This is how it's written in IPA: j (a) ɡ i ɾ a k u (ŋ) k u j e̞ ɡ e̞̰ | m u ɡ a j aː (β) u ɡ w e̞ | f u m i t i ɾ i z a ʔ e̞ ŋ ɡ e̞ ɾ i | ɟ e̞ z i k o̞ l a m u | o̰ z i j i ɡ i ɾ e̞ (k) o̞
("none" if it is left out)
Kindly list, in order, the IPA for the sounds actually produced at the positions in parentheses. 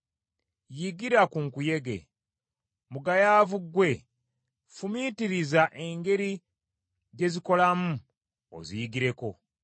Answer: i, ŋ, v, k

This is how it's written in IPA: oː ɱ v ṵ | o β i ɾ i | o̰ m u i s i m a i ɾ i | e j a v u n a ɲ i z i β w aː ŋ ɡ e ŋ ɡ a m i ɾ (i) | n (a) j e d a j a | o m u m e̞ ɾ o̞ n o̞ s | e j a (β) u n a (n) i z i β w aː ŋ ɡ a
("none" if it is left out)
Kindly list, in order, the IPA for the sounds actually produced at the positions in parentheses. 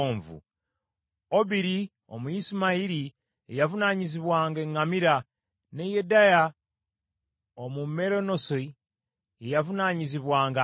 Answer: a, e, v, ɲ

